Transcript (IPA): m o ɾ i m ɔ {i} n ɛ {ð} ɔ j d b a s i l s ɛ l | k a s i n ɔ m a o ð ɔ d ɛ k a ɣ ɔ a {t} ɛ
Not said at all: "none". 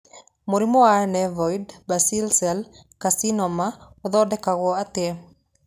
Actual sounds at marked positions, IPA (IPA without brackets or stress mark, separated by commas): a, v, t